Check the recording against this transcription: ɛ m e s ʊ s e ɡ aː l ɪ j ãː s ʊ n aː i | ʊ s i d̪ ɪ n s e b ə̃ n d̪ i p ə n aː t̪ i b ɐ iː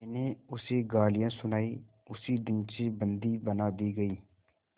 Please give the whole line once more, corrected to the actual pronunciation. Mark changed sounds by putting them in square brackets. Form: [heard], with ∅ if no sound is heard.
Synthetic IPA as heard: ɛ [n] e [∅] ʊ s e ɡ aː l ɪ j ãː s ʊ n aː i | ʊ s i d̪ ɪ n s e b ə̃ n d̪ i [b] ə n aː [d̪] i [ɡ] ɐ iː